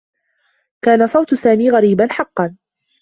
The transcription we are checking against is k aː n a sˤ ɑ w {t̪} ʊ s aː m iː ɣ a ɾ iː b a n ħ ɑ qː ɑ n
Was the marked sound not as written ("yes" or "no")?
no